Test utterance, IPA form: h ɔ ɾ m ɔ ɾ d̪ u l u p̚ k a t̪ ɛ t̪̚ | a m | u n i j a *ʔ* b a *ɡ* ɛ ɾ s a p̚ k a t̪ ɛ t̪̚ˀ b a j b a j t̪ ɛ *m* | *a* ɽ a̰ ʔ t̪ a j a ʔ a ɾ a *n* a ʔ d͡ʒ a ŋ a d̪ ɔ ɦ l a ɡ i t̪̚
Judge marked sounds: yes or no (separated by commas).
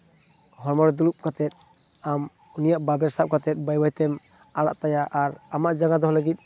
yes, no, yes, yes, no